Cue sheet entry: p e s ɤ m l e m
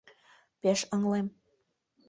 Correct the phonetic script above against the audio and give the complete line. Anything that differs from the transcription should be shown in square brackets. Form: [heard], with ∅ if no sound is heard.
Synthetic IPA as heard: p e [ʃ] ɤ [ŋ] l e m